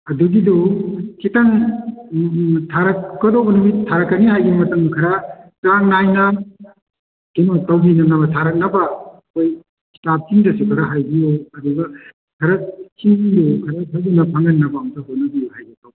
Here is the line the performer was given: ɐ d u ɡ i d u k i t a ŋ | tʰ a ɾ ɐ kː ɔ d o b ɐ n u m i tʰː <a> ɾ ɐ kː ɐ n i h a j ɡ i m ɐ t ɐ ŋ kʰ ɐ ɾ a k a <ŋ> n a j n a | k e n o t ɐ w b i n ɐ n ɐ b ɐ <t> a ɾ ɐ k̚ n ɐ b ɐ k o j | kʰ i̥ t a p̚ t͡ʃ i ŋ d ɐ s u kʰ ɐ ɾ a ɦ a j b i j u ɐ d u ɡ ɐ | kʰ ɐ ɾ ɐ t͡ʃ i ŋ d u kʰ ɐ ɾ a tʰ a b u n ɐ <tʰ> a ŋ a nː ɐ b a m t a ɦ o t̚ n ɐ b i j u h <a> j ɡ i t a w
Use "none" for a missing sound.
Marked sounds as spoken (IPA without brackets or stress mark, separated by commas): a, ŋ, tʰ, pʰ, a